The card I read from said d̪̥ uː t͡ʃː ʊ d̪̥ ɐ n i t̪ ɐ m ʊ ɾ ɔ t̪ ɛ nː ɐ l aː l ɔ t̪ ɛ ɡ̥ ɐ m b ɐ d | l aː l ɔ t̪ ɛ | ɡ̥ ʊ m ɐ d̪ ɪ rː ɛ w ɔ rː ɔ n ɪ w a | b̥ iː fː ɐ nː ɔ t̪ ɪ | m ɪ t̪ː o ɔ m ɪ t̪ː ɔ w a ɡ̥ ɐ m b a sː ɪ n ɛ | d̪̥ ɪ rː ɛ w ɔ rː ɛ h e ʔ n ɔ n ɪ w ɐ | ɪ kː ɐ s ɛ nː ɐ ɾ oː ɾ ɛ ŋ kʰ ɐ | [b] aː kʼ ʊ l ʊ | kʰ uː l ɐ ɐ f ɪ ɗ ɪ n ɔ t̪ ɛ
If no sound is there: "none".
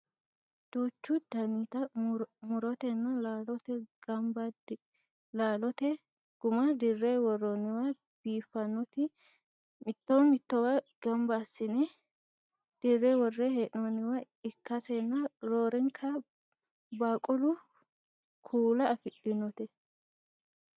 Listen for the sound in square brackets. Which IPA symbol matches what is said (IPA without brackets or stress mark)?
b